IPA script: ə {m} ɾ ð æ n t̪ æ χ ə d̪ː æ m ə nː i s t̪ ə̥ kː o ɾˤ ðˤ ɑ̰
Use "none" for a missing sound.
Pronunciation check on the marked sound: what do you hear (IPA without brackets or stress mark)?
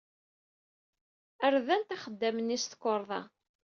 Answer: none